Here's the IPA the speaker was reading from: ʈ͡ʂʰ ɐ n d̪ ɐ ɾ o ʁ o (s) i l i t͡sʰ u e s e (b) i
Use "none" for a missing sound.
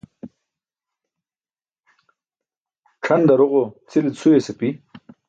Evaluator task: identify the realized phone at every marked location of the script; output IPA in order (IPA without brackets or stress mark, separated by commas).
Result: t͡s, p